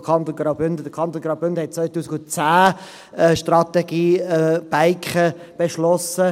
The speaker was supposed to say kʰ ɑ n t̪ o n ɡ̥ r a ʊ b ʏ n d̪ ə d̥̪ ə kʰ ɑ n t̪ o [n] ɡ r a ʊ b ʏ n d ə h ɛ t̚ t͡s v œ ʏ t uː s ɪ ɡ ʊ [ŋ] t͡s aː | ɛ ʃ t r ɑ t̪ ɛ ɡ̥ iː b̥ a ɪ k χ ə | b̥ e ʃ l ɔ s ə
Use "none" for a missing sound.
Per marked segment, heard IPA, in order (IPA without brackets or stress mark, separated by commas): n, n